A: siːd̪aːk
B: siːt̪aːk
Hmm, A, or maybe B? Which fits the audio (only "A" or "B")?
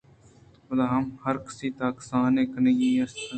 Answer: B